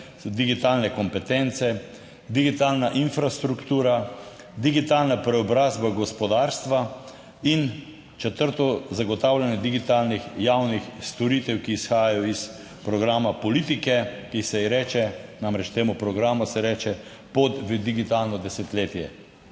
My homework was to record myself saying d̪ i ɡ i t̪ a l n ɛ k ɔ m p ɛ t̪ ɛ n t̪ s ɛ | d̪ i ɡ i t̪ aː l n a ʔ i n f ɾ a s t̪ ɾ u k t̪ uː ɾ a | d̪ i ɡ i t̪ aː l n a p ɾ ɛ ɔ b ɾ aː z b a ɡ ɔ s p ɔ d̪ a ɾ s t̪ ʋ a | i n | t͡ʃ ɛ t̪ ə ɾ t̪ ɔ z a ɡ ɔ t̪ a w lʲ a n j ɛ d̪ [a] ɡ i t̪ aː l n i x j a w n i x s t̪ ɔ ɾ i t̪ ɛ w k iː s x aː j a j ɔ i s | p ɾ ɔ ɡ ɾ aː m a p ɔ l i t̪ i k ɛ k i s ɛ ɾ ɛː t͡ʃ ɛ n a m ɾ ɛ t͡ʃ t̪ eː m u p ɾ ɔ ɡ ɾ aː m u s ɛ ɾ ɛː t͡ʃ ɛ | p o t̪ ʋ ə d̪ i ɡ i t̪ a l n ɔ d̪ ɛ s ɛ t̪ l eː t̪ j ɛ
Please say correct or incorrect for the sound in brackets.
incorrect